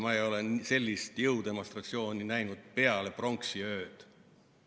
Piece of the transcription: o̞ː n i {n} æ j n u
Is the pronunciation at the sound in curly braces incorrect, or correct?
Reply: correct